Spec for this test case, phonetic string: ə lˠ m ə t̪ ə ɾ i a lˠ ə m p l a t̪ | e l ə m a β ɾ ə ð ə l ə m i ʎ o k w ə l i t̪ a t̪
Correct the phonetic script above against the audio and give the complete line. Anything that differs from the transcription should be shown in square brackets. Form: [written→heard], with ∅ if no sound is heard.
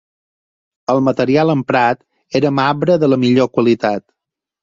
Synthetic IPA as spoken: ə lˠ m ə t̪ ə ɾ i a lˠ ə m p [l→ɾ] a t̪ | e [l→ɾ] ə m a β ɾ ə ð ə l ə m i ʎ o k w ə l i t̪ a t̪